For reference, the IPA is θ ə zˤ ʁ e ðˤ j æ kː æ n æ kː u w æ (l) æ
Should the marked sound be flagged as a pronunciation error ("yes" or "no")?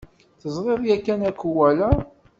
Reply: no